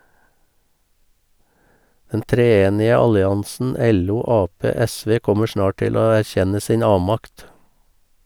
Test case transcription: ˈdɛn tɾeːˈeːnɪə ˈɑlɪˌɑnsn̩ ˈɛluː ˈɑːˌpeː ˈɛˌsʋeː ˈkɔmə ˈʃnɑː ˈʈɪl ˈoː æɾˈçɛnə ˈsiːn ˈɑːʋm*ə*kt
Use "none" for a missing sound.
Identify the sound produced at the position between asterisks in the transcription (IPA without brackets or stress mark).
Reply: ɑ